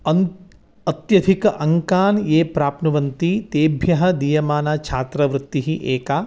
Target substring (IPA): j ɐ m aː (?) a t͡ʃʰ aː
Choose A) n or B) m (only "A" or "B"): A